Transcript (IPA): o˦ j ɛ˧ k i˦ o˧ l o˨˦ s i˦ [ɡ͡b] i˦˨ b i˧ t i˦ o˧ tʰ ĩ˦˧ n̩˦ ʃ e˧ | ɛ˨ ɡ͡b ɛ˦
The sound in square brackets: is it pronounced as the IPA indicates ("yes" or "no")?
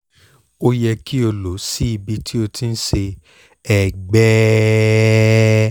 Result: no